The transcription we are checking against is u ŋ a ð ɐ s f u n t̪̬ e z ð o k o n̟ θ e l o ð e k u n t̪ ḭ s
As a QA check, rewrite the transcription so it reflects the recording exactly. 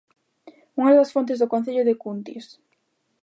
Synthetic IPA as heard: u ŋ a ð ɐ s f o n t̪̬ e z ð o k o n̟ θ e ʎ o ð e k u n t̪ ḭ s